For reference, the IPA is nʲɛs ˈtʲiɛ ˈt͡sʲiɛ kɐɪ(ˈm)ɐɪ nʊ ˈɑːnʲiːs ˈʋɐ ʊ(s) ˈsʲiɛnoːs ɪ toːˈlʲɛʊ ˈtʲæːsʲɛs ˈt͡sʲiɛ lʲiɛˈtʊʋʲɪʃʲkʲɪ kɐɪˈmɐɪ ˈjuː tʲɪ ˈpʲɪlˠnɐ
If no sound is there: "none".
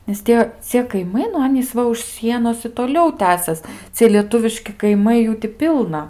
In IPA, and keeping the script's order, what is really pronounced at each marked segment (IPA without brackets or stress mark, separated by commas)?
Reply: m, ʃ